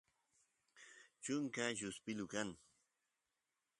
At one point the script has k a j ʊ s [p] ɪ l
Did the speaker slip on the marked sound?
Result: no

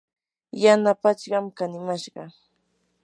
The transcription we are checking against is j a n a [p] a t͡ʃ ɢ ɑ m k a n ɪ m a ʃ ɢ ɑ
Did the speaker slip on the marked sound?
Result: no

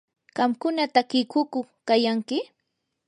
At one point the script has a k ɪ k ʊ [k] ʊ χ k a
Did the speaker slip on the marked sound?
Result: no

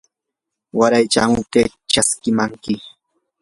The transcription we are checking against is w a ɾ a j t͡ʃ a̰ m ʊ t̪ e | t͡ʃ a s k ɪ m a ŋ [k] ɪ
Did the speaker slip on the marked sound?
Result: no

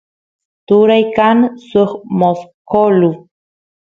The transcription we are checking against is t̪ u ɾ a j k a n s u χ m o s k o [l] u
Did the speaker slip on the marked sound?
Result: no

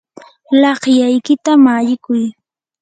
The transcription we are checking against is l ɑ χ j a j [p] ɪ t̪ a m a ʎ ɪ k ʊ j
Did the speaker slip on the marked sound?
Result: yes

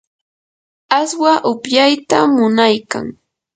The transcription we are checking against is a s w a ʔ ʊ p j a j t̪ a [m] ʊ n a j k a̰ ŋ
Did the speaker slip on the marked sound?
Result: no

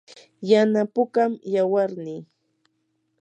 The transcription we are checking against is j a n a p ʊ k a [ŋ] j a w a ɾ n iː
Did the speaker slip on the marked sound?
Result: yes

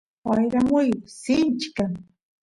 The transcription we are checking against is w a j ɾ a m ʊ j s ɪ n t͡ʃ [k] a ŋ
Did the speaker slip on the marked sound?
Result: no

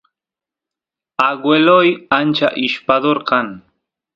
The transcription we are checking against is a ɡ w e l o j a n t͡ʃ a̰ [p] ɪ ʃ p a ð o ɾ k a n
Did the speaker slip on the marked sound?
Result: yes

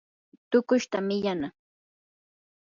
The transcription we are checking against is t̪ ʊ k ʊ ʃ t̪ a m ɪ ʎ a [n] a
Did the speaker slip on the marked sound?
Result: no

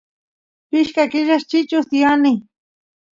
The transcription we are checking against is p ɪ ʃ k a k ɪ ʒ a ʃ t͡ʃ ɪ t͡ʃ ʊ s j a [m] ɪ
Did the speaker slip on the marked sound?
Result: yes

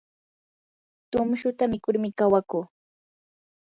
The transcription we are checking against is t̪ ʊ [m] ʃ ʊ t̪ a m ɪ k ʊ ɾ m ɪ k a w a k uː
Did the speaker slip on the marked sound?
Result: no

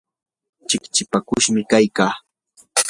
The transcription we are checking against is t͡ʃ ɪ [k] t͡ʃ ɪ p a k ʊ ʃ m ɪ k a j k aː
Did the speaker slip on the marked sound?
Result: no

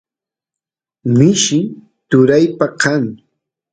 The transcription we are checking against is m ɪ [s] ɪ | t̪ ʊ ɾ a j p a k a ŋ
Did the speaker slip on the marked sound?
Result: yes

